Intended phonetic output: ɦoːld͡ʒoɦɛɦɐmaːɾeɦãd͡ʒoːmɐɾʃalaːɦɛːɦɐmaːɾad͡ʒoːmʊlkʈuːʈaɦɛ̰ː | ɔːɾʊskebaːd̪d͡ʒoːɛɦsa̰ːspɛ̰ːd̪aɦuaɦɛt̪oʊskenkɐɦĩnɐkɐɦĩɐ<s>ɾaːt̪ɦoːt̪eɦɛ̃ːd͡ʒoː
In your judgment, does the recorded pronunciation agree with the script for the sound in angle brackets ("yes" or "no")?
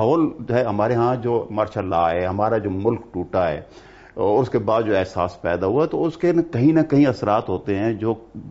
yes